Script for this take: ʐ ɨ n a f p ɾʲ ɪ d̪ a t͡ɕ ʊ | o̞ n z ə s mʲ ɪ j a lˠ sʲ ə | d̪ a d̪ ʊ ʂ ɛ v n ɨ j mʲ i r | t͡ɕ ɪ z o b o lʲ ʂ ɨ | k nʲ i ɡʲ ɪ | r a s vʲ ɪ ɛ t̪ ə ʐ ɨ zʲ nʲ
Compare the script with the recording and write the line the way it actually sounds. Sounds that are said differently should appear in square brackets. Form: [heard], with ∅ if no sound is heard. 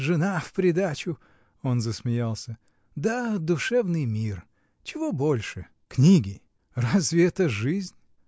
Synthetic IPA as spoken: ʐ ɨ n a f p ɾʲ ɪ d̪ a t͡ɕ ʊ | o̞ n z ə s mʲ ɪ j a lˠ sʲ ə | d̪ a d̪ ʊ ʂ ɛ v n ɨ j mʲ i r | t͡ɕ ɪ [v] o b o lʲ ʂ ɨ | k nʲ i ɡʲ ɪ | r a [z] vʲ ɪ ɛ t̪ ə ʐ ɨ zʲ nʲ

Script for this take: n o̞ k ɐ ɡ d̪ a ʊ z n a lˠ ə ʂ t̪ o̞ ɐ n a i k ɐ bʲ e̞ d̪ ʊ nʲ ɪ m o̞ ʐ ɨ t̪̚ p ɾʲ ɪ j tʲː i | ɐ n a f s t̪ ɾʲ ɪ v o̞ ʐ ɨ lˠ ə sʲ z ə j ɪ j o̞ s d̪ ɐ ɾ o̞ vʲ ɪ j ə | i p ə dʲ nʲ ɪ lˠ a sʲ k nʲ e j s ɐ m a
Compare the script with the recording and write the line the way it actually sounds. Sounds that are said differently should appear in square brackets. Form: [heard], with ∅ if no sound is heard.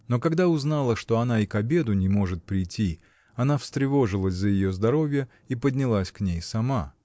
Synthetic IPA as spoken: n o̞ k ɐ ɡ d̪ a ʊ z n a lˠ ə ʂ t̪ o̞ ɐ n a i k ɐ bʲ e̞ d̪ ʊ nʲ ɪ m o̞ ʐ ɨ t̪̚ p ɾʲ ɪ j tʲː i | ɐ n a f s t̪ ɾʲ ɪ v o̞ ʐ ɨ lˠ ə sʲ z ə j ɪ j o̞ [z] d̪ ɐ ɾ o̞ vʲ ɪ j ə | i p ə dʲ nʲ ɪ lˠ a sʲ k nʲ e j s ɐ m a

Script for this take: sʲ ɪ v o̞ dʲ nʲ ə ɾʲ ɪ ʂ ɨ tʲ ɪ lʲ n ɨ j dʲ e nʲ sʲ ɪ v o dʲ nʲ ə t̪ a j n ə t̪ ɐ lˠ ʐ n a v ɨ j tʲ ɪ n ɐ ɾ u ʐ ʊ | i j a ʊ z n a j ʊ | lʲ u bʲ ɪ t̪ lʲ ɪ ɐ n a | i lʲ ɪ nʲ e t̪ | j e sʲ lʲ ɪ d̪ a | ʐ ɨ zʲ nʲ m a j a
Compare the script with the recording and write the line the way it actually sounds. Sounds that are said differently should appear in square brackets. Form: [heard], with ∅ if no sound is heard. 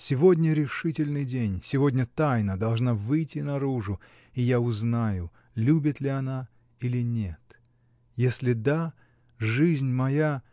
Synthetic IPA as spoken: sʲ ɪ v o̞ dʲ nʲ ə ɾʲ ɪ ʂ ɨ tʲ ɪ lʲ n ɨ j dʲ e nʲ sʲ ɪ v o dʲ nʲ ə t̪ a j n ə [d̪] ɐ lˠ ʐ n a v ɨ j tʲ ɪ n ɐ ɾ u ʐ ʊ | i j a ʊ z n a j ʊ | lʲ u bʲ ɪ t̪ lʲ ɪ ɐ n a | i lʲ ɪ nʲ e t̪ | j e sʲ lʲ ɪ d̪ a | ʐ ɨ zʲ nʲ m [ɐ] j a

